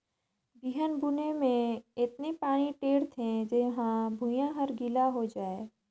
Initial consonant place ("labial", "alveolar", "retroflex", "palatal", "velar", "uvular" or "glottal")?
labial